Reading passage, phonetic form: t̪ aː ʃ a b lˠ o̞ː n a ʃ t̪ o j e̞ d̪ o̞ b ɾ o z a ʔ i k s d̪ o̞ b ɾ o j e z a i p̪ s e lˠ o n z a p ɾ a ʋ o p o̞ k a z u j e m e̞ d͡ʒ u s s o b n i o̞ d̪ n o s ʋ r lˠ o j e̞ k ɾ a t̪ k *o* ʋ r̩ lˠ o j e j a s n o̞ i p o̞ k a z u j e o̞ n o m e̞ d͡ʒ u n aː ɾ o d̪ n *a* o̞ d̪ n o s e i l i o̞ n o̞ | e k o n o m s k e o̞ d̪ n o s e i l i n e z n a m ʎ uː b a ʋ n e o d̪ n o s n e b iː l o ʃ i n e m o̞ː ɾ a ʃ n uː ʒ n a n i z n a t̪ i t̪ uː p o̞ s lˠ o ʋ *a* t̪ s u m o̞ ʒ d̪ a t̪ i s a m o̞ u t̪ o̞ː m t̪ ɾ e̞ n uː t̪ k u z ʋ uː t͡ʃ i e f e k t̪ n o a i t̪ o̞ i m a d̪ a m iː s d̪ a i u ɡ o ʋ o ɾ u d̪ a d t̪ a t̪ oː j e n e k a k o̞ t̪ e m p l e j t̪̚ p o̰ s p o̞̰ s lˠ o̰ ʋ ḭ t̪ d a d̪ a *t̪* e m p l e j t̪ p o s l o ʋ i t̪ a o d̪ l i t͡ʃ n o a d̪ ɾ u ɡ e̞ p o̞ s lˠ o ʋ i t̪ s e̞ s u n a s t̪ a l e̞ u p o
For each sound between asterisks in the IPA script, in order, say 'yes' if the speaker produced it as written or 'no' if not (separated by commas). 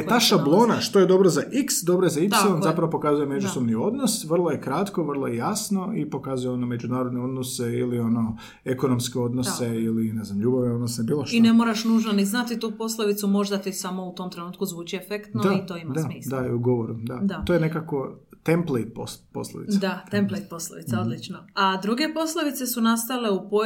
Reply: yes, no, no, yes